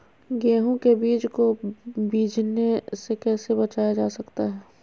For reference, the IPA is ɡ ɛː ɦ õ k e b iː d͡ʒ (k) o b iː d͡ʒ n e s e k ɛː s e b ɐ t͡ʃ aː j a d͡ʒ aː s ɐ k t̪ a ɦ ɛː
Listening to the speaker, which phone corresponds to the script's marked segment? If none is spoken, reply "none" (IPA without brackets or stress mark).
k